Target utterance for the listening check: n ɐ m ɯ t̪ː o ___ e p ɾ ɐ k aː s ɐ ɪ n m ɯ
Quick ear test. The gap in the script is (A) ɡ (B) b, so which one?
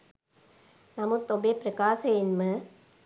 B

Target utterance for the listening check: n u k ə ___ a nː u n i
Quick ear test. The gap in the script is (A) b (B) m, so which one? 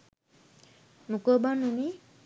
A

